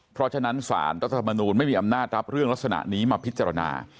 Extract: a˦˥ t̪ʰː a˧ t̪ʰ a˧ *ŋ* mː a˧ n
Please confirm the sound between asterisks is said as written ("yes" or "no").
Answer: no